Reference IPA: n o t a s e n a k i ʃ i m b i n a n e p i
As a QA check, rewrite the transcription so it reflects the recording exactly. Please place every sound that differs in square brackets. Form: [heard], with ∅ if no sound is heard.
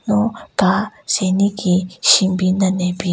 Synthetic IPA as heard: n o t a s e n [i] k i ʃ i m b i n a n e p i

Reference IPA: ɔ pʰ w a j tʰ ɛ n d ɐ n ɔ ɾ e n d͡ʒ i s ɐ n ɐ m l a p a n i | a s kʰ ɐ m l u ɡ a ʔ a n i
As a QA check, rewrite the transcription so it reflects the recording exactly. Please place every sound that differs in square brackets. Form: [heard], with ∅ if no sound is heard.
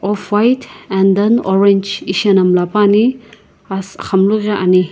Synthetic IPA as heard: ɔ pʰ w a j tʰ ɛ n d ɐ n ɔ ɾ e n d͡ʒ i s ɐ n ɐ m l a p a n i | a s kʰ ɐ m l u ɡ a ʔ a n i

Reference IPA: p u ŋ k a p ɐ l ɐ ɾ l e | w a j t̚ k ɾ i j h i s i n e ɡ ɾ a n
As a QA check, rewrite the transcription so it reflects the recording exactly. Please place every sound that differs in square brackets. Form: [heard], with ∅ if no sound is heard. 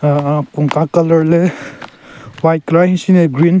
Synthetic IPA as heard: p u ŋ k a [k] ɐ l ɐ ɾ l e | w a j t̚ k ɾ [a] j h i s i n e ɡ ɾ [i] n

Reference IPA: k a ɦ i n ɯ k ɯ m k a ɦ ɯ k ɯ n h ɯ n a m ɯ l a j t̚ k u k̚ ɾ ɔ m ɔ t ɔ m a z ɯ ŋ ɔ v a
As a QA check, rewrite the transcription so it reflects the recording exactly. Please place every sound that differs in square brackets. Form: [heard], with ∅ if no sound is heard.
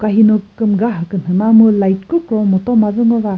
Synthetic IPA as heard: k a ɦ i n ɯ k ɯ m [ɡ] a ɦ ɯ k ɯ n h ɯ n a m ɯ l a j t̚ k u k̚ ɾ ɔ m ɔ t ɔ m a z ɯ ŋ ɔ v a

